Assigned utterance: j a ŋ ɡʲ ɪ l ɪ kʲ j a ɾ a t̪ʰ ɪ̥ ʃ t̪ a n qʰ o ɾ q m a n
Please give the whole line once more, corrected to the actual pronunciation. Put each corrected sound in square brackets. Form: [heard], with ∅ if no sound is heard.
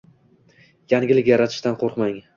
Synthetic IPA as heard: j a ŋ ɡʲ ɪ l ɪ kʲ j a ɾ a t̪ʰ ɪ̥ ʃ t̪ a n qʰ o ɾ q m a [ŋ]